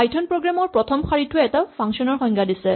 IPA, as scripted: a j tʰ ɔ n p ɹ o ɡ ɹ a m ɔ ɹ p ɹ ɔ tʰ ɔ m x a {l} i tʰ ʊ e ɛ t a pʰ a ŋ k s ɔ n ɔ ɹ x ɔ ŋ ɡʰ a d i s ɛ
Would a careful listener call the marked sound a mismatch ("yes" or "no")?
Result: yes